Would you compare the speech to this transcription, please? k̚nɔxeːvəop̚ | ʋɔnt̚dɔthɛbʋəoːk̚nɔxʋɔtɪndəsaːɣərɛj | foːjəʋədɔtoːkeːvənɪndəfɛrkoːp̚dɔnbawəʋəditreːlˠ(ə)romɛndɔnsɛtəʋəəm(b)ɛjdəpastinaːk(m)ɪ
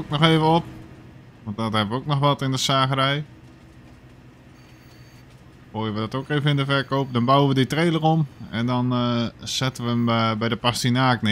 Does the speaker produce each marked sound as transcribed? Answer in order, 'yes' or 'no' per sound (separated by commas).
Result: yes, yes, no